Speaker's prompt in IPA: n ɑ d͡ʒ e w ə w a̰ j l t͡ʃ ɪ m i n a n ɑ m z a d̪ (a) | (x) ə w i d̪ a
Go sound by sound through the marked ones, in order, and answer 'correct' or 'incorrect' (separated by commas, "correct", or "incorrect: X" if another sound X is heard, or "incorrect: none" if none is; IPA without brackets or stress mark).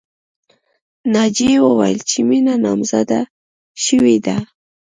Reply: correct, incorrect: ʃ